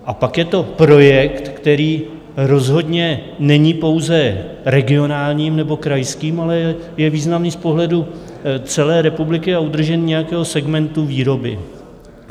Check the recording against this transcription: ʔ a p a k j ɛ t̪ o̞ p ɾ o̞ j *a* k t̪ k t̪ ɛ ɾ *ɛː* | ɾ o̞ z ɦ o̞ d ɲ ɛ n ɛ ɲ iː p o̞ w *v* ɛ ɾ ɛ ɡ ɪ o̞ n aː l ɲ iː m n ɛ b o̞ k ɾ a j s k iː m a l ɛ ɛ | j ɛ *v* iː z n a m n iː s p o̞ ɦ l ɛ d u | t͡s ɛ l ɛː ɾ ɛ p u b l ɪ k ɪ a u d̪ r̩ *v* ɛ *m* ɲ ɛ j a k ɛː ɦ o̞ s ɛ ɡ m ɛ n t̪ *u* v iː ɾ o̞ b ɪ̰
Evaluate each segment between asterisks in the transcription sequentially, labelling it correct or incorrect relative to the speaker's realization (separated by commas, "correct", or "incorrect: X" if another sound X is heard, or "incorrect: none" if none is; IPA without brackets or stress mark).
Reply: incorrect: ɛ, incorrect: iː, incorrect: z, correct, incorrect: ʒ, incorrect: n, correct